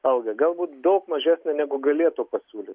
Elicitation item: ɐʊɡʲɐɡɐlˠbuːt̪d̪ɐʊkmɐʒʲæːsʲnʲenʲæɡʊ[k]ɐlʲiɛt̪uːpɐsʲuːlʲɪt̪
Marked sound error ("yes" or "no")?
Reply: yes